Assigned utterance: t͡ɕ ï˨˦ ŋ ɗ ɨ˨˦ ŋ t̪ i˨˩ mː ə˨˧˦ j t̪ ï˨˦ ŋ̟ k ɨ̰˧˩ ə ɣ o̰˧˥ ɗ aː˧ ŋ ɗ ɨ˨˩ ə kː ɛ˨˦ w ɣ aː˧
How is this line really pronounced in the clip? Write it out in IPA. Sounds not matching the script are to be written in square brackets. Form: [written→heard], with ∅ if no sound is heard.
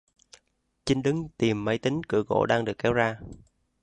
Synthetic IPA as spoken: t͡ɕ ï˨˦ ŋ ɗ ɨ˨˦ ŋ t̪ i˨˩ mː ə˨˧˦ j t̪ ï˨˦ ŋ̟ k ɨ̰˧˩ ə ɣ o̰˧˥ ɗ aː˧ ŋ ɗ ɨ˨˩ ə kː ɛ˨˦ w [ɣ→z] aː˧